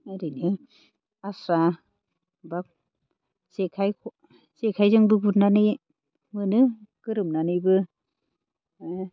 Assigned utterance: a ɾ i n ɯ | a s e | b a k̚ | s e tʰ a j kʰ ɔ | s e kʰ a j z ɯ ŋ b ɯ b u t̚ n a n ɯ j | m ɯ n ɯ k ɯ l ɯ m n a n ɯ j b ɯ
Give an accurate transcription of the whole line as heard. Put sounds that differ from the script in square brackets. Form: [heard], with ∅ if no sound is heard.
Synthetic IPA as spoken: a ɾ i n ɯ | a s [a] | b a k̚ | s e [kʰ] a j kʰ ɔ | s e kʰ a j z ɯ ŋ b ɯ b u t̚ n a n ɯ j | m ɯ n ɯ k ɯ [ɾ] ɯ m n a n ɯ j b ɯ

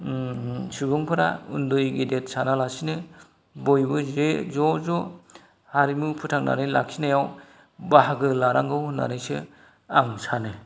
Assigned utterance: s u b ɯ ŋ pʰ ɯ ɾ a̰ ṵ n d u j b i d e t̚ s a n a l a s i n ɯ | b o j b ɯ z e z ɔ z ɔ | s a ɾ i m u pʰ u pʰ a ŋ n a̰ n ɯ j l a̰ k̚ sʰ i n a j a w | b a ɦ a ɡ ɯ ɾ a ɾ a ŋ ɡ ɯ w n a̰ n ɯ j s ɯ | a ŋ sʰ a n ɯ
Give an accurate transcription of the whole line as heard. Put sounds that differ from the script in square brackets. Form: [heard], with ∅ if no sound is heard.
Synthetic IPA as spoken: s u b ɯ ŋ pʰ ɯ ɾ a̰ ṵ n d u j [ɡ] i d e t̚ s a n a l a s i n ɯ | b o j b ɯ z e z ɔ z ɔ | [h] a ɾ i m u pʰ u [tʰ] a ŋ n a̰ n ɯ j l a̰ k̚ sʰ i n a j a w | b a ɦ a ɡ ɯ [l] a ɾ a ŋ ɡ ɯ w n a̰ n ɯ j s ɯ | a ŋ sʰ a n ɯ

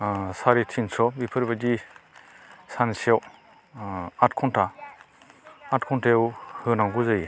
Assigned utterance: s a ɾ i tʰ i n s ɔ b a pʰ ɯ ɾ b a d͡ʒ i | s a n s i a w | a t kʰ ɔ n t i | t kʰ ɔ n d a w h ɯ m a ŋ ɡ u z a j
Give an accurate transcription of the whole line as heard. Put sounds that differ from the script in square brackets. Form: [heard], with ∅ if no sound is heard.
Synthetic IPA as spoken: s a ɾ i tʰ i n s ɔ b [i] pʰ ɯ ɾ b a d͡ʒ i | s a n s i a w | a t kʰ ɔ n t [a] | t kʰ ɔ n [t] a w h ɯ [n] a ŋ ɡ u z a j

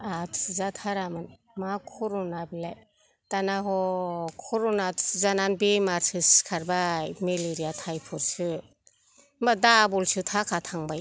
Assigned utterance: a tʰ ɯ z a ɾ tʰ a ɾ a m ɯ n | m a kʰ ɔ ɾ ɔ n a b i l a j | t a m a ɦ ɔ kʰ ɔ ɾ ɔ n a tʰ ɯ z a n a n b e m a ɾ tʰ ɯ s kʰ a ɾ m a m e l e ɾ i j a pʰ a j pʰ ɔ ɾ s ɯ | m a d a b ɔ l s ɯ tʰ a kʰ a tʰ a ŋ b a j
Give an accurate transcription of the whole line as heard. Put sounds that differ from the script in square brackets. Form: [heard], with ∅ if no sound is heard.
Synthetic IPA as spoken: a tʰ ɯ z a [∅] tʰ a ɾ a m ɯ n | m a kʰ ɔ ɾ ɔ n a b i l a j | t a [n] a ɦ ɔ kʰ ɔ ɾ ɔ n a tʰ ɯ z a n a n b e m a ɾ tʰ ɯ s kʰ a ɾ [b] a m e l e ɾ i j a [tʰ] a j pʰ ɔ ɾ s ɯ | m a d a b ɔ l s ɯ tʰ a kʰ a tʰ a ŋ b a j

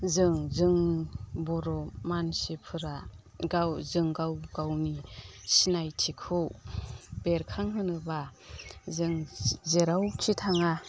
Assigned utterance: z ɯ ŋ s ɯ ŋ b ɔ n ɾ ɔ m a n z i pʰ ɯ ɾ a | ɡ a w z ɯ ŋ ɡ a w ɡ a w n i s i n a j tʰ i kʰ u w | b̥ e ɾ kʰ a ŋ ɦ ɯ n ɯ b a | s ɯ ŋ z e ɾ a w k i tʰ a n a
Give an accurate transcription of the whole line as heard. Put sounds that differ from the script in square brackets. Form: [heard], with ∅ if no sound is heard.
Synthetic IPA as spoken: z ɯ ŋ [z] ɯ ŋ b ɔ [∅] ɾ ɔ m a n [s] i pʰ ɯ ɾ a | ɡ a w z ɯ ŋ ɡ a w ɡ a w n i s i n a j tʰ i kʰ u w | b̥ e ɾ kʰ a ŋ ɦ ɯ n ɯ b a | [z] ɯ ŋ z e ɾ a w [kʰ] i tʰ a [ŋ] a

